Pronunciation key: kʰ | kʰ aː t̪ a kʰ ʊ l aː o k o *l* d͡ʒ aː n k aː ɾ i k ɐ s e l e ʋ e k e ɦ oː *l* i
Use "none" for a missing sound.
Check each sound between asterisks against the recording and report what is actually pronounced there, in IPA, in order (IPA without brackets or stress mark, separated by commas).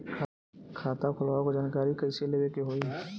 none, none